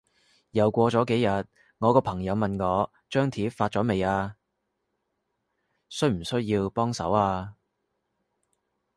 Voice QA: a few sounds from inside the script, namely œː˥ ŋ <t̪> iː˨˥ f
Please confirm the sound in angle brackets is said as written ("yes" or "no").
no